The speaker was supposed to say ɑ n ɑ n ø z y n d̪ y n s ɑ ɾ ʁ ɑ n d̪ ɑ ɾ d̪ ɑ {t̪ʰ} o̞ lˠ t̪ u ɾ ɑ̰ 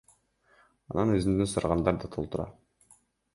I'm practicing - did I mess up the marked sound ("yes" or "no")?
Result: no